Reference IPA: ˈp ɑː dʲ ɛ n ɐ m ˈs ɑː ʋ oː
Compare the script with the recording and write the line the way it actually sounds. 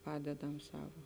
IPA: ˈp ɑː dʲ ɛ d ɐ m ˈs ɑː ʋ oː